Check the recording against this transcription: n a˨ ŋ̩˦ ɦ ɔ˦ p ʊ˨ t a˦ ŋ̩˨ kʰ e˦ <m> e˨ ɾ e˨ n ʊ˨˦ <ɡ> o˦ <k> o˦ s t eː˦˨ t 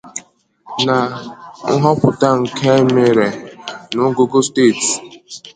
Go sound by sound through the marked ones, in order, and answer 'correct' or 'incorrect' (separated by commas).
correct, correct, incorrect